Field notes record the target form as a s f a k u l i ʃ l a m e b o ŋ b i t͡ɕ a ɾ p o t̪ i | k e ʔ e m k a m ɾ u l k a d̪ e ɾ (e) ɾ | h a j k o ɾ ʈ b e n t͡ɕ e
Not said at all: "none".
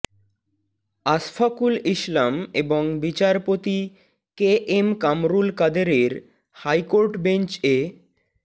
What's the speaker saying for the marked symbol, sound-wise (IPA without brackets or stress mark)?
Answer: e